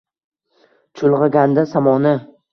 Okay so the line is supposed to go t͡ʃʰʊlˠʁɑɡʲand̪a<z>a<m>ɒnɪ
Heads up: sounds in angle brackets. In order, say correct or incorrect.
incorrect, correct

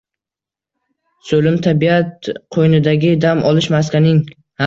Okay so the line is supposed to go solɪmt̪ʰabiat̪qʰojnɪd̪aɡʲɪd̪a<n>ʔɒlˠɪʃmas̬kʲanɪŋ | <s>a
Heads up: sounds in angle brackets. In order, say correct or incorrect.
incorrect, incorrect

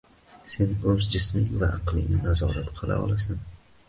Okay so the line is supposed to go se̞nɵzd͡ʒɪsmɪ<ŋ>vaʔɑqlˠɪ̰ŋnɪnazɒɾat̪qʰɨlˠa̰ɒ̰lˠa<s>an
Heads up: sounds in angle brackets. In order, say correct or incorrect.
correct, correct

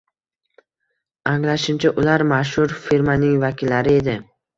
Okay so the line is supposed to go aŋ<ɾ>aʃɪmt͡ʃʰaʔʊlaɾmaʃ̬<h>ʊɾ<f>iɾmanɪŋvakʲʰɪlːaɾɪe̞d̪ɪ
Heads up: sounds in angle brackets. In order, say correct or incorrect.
incorrect, correct, correct

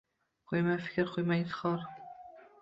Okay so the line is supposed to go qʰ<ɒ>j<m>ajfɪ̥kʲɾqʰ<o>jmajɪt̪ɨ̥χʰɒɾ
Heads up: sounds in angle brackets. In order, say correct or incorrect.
incorrect, correct, correct

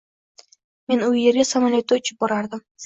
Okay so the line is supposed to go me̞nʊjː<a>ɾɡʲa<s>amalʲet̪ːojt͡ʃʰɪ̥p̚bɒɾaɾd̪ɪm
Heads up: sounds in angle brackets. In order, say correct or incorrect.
incorrect, correct

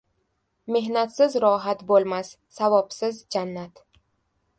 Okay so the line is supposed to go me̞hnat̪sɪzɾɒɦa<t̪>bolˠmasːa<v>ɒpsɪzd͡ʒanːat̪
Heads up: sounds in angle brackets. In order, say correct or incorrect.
correct, correct

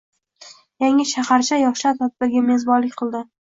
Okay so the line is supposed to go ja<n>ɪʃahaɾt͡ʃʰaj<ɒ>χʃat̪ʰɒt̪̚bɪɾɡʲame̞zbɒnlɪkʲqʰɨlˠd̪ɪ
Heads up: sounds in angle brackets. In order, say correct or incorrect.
incorrect, correct

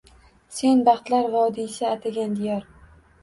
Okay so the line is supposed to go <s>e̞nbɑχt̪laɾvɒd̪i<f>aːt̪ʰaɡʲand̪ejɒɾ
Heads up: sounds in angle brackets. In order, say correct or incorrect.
correct, incorrect

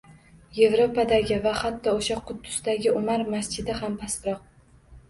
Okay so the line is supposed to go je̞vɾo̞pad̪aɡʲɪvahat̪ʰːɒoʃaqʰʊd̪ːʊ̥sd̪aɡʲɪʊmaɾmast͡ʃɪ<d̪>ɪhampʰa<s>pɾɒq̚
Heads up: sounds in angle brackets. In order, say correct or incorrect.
correct, correct

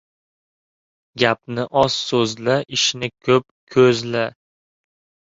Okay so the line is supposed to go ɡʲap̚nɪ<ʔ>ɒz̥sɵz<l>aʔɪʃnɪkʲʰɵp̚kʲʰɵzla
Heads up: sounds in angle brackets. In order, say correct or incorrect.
correct, correct

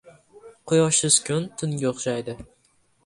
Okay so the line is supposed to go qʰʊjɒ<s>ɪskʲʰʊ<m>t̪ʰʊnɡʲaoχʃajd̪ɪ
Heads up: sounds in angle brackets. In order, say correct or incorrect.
incorrect, incorrect

